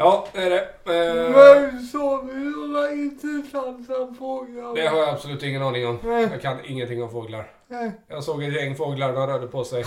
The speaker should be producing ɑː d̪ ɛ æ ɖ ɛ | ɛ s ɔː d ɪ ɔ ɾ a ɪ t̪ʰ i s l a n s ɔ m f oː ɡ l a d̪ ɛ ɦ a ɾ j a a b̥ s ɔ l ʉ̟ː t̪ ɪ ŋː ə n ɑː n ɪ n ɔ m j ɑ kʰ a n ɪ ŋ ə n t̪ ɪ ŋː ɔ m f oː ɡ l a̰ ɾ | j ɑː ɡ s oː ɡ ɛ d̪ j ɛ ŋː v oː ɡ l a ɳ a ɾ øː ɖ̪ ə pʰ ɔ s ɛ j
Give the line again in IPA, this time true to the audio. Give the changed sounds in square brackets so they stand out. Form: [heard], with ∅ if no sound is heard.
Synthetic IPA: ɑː d̪ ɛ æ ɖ ɛ | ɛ s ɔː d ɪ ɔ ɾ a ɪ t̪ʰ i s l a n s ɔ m f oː ɡ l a d̪ ɛ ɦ a ɾ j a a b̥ s ɔ l ʉ̟ː t̪ ɪ ŋː ə n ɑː n ɪ [ŋ] ɔ m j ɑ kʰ a n ɪ [ŋː] ə n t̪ ɪ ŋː ɔ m f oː ɡ l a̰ ɾ | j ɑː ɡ s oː ɡ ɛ [t̪] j ɛ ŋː [f] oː ɡ l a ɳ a ɾ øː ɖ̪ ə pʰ ɔ s ɛ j